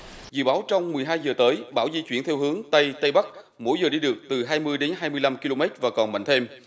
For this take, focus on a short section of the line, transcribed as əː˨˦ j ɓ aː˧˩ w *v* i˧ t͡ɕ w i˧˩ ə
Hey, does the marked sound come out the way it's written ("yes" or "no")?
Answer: no